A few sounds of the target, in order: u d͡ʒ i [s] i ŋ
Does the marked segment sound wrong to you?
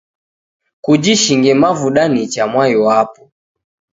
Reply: yes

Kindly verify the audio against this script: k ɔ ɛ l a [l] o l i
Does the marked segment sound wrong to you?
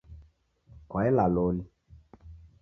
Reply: no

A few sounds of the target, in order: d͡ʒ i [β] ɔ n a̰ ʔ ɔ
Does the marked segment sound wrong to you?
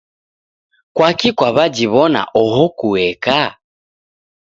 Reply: no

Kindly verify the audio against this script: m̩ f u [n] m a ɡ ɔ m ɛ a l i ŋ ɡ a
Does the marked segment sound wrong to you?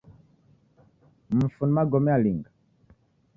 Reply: no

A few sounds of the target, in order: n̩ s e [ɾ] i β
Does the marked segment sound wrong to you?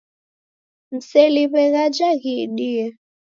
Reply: yes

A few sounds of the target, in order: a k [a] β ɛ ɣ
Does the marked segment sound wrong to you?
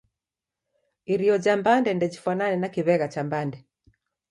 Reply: yes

